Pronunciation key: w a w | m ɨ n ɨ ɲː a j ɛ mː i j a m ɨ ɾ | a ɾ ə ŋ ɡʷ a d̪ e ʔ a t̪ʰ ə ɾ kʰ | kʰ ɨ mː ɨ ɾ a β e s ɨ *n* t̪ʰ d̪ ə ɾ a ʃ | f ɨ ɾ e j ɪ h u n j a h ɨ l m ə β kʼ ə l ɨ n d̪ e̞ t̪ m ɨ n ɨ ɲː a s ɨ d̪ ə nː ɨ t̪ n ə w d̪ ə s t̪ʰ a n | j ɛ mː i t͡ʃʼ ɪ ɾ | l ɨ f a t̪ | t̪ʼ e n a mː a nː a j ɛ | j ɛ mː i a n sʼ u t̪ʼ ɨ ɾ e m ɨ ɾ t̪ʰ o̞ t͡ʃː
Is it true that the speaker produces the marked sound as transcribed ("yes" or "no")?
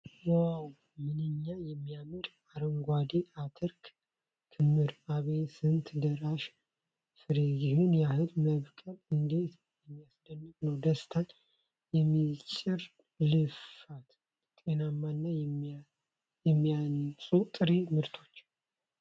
yes